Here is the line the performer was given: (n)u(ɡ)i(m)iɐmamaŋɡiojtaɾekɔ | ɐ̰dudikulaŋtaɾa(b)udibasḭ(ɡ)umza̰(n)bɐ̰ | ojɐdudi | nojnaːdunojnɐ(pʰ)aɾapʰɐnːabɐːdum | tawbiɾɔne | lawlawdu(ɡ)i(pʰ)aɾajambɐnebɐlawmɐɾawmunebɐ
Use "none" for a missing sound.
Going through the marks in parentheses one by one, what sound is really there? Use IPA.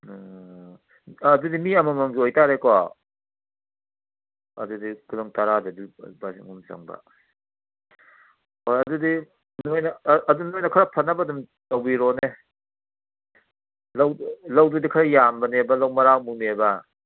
d, d, m, d, ŋ, ŋ, kʰ, d, kʰ

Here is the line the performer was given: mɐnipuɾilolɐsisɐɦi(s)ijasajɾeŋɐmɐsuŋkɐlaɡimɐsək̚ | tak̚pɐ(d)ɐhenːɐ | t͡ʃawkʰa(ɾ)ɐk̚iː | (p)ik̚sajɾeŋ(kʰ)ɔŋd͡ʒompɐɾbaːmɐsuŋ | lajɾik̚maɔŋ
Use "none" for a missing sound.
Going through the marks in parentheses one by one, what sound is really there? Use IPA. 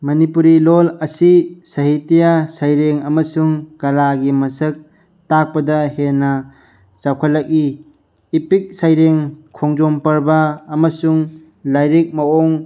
t, d, l, p, kʰ

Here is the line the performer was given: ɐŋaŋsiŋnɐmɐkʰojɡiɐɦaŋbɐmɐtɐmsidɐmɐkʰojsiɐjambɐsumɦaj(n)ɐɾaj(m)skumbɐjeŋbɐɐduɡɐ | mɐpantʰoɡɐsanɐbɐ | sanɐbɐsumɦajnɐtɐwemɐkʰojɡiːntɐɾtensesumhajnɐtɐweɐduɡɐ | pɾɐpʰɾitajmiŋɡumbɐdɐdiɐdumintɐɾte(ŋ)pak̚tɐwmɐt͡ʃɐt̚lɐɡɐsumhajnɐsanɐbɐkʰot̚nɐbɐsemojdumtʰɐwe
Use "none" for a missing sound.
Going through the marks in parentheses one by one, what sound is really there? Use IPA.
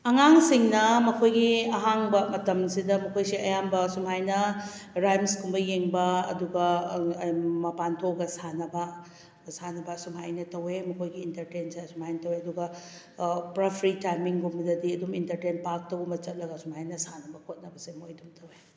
n, m, n

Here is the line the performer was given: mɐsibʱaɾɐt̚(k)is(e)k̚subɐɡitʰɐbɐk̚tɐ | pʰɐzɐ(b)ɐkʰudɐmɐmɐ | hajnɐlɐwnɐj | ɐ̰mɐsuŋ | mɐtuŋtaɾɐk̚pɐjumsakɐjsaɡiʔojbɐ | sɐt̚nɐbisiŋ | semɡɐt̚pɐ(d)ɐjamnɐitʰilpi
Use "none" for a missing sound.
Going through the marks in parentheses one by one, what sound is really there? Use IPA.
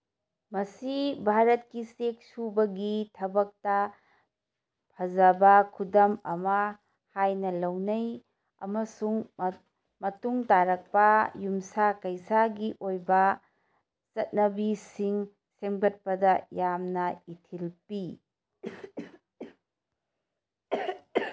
k, e, b, d

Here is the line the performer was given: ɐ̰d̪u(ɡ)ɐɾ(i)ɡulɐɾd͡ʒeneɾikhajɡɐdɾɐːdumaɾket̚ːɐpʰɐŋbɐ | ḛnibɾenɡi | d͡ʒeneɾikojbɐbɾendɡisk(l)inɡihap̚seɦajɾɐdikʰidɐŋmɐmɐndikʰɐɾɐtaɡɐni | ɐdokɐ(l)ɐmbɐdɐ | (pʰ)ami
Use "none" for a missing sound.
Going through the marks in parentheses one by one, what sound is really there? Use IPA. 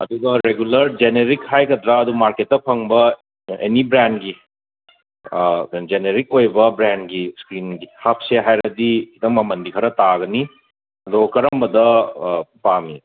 ɡ, e, ɾ, ɾ, p

